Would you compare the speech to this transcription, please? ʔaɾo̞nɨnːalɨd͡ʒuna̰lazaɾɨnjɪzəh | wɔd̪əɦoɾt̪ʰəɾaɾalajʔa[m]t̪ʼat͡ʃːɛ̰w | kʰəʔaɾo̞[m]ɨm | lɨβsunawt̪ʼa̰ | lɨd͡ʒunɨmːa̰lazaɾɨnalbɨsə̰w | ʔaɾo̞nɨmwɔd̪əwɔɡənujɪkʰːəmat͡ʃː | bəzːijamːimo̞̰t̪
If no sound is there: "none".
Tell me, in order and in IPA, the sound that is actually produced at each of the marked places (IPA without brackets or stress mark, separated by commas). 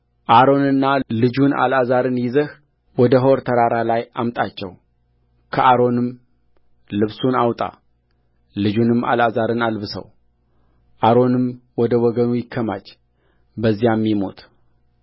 m, n